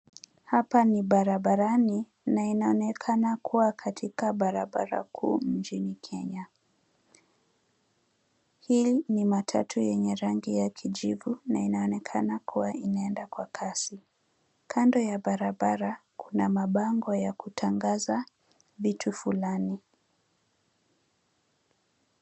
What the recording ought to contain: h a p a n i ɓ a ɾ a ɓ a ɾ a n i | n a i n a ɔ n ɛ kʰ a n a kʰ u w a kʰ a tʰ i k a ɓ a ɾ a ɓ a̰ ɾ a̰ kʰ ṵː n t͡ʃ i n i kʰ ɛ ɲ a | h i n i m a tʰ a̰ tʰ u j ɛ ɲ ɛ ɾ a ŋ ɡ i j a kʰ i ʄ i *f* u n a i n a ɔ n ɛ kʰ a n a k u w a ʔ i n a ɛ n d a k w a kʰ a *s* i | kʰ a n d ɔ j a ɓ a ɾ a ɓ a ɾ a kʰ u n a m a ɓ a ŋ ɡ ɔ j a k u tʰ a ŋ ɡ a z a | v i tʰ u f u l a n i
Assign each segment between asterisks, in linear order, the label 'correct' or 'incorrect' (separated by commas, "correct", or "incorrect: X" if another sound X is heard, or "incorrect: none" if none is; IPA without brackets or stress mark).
incorrect: v, correct